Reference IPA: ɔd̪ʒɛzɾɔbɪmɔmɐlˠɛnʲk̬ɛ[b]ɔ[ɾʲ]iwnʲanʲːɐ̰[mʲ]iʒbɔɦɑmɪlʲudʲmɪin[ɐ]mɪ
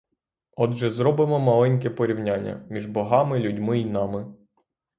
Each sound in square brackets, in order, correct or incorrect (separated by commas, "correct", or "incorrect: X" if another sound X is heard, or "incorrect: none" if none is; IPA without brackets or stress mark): incorrect: p, correct, correct, incorrect: ɑ